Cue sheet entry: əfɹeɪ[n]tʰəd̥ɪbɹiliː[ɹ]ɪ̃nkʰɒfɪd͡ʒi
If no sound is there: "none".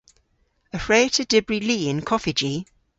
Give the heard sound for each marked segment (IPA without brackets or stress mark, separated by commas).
none, none